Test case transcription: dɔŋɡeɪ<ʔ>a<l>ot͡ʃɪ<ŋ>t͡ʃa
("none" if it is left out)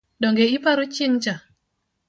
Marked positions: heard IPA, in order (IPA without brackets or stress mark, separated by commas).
p, ɾ, ŋ